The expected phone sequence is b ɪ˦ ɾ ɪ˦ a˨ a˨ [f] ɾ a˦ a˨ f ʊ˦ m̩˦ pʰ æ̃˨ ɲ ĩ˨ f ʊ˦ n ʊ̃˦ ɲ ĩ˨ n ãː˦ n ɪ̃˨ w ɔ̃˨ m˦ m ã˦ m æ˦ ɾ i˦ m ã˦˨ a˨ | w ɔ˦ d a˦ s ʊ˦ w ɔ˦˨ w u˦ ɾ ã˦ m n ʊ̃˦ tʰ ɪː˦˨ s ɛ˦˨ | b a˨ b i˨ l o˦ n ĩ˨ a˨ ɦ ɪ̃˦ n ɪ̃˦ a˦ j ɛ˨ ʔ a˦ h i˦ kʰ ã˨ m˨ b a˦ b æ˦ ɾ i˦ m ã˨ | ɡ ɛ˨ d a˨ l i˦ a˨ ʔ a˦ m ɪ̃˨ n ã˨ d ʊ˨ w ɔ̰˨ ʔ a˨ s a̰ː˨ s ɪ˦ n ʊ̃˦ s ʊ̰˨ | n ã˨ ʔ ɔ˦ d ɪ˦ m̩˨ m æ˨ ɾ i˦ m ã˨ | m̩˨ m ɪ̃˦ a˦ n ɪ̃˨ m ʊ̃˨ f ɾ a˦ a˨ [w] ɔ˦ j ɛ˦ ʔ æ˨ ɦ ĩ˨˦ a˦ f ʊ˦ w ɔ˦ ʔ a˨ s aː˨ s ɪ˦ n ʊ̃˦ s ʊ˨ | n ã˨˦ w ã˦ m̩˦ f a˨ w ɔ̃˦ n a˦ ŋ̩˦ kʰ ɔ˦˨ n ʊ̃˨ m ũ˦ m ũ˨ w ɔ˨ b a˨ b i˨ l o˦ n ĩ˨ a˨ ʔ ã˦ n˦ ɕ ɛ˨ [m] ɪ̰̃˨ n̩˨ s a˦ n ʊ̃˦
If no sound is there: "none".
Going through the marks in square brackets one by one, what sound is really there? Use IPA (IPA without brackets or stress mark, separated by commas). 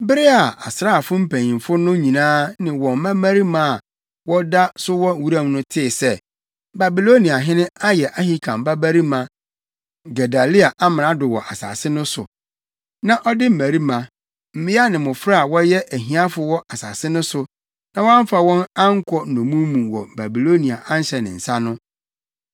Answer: s, w, n